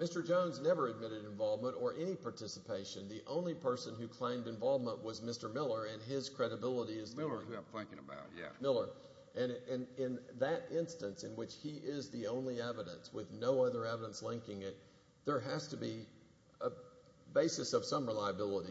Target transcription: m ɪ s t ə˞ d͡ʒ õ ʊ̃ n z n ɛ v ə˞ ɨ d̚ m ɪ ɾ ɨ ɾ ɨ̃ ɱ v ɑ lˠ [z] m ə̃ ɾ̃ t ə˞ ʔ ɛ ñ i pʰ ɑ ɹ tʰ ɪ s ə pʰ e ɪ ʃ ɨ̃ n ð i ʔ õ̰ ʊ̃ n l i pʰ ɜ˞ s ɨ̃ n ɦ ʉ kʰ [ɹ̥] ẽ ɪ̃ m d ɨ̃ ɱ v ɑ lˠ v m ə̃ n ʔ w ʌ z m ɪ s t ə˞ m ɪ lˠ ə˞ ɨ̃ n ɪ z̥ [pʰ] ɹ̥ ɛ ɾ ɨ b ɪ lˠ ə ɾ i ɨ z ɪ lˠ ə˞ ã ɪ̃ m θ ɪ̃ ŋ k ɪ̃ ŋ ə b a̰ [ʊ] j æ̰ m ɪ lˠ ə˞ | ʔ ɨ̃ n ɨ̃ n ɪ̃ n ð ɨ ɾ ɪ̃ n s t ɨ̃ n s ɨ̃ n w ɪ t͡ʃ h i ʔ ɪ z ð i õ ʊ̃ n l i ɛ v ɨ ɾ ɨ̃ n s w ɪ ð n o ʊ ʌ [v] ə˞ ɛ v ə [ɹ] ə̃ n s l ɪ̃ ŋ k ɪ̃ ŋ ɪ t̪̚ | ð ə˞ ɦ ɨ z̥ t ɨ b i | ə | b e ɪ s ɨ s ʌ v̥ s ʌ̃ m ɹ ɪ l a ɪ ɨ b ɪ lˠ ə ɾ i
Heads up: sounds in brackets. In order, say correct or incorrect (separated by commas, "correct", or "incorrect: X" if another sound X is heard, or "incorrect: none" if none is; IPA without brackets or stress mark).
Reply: incorrect: v, incorrect: l̥, incorrect: kʰ, correct, incorrect: ð, incorrect: ɾ